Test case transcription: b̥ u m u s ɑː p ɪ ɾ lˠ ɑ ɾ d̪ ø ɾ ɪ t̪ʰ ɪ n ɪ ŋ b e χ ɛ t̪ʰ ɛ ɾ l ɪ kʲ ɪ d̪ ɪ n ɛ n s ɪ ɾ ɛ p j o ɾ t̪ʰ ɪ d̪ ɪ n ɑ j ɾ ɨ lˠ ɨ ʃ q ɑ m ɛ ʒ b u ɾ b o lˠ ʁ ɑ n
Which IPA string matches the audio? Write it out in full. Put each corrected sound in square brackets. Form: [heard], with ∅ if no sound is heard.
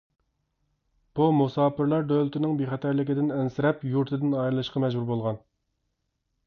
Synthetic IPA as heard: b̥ u m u s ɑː p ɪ ɾ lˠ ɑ ɾ d̪ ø [l] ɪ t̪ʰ ɪ n ɪ ŋ b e χ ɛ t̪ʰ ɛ ɾ l ɪ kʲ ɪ d̪ ɪ n ɛ n s ɪ ɾ ɛ p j [u] ɾ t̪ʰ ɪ d̪ ɪ n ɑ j ɾ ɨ lˠ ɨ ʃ q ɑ m ɛ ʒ b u ɾ b o lˠ ʁ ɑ n